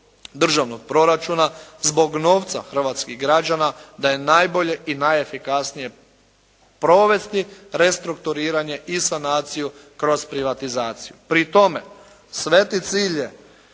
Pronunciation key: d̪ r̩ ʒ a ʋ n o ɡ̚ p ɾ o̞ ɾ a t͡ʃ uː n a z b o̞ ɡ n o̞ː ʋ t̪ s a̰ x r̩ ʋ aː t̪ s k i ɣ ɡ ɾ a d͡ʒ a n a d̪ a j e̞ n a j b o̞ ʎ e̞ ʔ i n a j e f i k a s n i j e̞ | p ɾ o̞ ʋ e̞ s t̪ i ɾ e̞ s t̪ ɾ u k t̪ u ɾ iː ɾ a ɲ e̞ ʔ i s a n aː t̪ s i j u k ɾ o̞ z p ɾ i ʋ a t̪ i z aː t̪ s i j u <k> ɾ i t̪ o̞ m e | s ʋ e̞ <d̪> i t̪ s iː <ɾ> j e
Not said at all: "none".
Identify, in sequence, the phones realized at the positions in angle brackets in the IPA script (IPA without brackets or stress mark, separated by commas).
p, t̪, ʎ